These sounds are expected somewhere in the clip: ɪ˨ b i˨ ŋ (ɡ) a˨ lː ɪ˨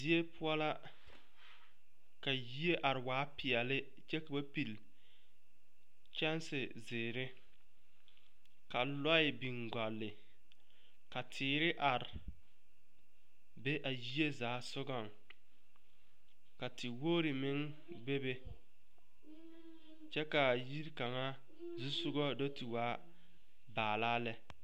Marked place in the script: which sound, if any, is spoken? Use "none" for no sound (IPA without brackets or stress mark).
ɡ